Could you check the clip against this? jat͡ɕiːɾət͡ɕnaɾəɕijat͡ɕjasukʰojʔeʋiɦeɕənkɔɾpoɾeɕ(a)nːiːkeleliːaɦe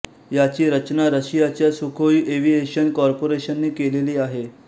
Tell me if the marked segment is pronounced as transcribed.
no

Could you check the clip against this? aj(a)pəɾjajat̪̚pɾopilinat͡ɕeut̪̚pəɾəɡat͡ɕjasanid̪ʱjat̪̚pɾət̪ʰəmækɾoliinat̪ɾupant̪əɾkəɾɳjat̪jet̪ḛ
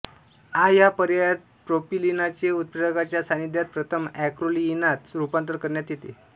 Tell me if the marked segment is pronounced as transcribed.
yes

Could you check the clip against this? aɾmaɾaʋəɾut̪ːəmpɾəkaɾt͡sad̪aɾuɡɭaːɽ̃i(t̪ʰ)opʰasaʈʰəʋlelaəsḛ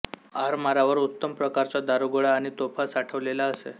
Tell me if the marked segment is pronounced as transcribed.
no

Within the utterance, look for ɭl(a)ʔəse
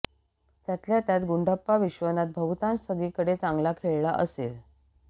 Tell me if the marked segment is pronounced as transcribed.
yes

